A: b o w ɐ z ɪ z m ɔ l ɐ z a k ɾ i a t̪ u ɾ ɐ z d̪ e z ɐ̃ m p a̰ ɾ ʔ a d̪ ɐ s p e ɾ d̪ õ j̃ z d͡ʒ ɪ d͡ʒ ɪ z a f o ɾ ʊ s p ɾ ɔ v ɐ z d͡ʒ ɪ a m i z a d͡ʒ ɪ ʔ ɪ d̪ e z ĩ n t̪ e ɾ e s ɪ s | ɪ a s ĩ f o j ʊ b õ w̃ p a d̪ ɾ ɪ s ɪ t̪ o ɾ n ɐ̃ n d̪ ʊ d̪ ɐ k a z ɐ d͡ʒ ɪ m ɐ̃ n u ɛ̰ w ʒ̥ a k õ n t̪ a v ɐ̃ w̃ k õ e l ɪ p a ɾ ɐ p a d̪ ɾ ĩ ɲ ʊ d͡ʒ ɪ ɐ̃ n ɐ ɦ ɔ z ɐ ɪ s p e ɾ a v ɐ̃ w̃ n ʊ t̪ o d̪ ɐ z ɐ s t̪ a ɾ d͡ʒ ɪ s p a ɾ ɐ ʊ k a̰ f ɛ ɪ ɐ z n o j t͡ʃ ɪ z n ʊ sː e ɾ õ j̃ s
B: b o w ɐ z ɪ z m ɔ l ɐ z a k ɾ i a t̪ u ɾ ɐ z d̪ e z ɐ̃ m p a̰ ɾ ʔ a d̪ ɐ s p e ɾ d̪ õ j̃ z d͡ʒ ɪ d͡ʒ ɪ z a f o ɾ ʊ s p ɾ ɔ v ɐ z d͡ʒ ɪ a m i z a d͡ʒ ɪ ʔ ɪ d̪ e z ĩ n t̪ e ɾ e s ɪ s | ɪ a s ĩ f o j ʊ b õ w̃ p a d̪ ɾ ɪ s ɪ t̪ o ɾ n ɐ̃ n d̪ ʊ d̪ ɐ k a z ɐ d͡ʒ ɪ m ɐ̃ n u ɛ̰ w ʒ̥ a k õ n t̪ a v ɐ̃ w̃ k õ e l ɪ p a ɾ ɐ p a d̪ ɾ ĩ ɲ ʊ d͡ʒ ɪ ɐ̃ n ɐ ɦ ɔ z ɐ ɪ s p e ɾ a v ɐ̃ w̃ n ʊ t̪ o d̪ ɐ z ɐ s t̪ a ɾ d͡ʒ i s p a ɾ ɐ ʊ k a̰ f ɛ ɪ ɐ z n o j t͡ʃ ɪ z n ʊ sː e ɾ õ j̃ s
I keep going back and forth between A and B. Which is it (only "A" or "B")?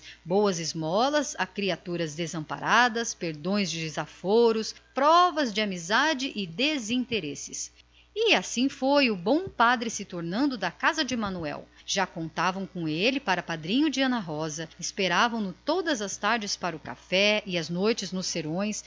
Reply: A